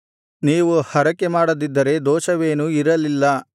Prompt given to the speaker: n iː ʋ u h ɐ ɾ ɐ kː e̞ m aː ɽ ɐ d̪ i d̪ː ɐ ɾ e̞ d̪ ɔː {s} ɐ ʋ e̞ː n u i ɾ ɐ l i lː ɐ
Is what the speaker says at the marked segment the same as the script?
no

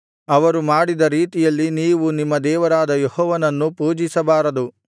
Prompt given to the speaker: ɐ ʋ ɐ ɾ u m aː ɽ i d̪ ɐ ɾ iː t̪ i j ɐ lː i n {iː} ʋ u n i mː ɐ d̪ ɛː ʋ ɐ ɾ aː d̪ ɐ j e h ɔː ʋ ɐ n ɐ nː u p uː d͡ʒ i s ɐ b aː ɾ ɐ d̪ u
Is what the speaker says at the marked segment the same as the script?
yes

